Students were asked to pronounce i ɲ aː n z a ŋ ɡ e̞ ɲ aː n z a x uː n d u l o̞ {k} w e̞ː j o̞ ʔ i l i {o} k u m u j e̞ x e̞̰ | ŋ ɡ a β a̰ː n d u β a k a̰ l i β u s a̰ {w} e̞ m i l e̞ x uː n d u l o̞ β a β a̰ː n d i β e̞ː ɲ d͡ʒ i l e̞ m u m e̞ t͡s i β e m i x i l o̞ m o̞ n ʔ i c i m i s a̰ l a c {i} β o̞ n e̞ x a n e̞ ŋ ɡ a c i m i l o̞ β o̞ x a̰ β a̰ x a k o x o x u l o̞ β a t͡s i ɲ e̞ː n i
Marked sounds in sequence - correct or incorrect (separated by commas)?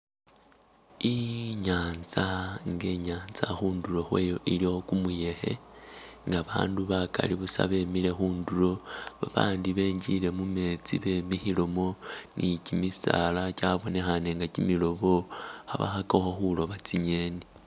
incorrect, correct, incorrect, incorrect